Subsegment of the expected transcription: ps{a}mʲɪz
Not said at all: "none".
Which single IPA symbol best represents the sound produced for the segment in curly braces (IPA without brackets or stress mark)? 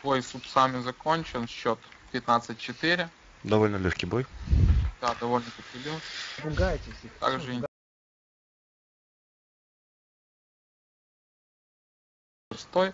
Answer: a